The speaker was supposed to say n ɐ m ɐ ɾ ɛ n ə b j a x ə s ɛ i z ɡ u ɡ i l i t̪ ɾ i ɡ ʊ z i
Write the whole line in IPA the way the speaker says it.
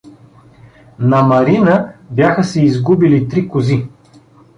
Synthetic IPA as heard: n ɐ m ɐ ɾ i n ə b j a x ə s ɛ i z ɡ u b i l i t̪ ɾ i k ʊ z i